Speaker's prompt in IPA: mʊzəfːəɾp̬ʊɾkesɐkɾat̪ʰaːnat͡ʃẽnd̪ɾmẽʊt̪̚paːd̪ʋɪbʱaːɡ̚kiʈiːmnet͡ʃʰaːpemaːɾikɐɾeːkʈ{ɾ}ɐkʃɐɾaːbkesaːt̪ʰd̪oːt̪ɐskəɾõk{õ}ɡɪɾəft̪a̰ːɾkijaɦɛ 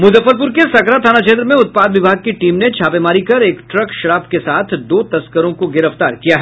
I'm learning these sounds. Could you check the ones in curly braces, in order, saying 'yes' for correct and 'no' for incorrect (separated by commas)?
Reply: yes, no